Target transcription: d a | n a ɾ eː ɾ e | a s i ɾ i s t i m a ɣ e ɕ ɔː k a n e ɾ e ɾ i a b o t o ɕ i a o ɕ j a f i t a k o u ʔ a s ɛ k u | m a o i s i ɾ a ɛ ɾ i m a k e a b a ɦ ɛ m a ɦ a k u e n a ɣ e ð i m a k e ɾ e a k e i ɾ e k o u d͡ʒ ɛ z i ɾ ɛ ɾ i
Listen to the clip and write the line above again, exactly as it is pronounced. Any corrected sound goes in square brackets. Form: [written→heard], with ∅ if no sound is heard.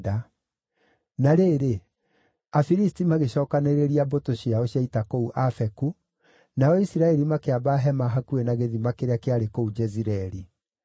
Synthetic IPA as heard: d a | n a ɾ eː ɾ e | a [s→f] i ɾ i s t i m a ɣ e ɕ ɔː k a n e ɾ e ɾ i a b o t o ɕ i a o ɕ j a [f→∅] i t a k o u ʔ a [s→f] ɛ k u | [m→n] a [o→ɔ] i s i ɾ a ɛ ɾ i m a k e a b a ɦ ɛ m a ɦ a k u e n a ɣ e ð i m a k e ɾ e a k e [i→a] ɾ e k o u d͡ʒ ɛ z i ɾ ɛ ɾ i